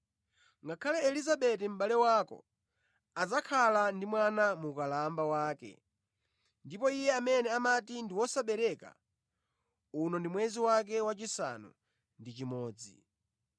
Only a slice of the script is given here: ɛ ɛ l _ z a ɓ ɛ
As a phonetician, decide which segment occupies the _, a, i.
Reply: i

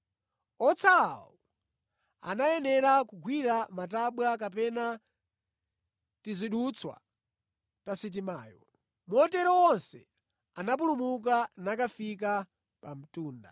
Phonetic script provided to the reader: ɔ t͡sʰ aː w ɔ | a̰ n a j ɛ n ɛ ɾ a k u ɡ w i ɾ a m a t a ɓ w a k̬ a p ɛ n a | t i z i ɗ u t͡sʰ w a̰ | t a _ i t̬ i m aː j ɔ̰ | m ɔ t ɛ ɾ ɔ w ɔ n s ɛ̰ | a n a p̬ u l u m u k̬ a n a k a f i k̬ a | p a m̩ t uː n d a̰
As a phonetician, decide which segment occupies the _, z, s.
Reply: s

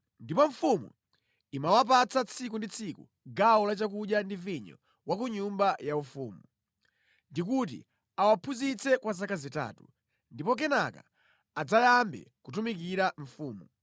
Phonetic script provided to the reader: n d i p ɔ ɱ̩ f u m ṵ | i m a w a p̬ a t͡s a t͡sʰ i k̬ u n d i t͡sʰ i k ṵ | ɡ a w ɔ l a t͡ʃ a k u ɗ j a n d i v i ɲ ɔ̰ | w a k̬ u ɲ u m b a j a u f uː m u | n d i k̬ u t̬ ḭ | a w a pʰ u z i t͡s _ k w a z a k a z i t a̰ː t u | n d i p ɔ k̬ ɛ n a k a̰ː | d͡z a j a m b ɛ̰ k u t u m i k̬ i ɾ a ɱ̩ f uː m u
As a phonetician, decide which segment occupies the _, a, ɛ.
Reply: ɛ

